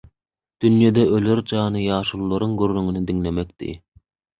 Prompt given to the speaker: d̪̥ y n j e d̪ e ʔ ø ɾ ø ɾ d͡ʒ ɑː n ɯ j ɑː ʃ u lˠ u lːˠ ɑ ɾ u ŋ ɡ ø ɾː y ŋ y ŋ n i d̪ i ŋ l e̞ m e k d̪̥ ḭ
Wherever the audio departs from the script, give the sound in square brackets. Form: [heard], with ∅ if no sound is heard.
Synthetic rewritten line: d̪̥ y n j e d̪ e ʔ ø [l] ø ɾ d͡ʒ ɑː n ɯ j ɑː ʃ u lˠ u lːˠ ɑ ɾ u ŋ ɡ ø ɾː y ŋ y [∅] n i d̪ i ŋ l e̞ m e k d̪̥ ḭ